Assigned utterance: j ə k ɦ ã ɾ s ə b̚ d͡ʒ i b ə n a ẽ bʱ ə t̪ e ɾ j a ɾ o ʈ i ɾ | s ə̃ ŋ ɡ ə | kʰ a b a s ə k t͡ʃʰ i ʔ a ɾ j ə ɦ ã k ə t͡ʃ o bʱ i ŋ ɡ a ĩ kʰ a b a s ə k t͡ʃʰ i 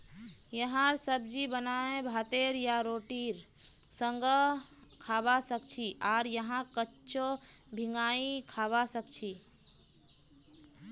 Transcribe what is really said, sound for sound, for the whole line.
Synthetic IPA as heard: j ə ɦ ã ɾ s ə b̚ d͡ʒ i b ə n a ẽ bʱ a t̪ e ɾ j a ɾ o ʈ i ɾ | s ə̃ ŋ ɡ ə | kʰ a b a s ə k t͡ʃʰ i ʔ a ɾ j ə ɦ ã k ə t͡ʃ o bʱ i ŋ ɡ a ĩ kʰ a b a s ə k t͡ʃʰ i